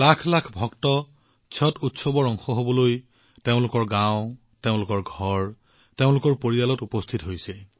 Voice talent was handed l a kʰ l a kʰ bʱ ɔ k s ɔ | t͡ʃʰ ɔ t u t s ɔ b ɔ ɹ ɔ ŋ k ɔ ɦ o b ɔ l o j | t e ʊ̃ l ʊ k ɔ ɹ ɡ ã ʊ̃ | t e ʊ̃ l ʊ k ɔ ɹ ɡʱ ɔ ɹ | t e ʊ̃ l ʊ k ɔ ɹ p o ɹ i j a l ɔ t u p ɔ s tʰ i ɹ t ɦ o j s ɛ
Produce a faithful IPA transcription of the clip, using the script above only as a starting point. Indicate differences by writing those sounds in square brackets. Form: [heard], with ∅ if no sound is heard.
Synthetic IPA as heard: l a kʰ l a kʰ bʱ ɔ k [t] ɔ | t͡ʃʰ ɔ t u t s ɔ b ɔ ɹ ɔ ŋ [x] ɔ ɦ o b ɔ l o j | t e ʊ̃ l ʊ k ɔ ɹ ɡ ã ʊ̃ | t e ʊ̃ l ʊ k ɔ ɹ ɡʱ ɔ ɹ | t e ʊ̃ l ʊ k ɔ ɹ p o ɹ i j a l ɔ t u p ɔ s tʰ i [∅] t ɦ o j s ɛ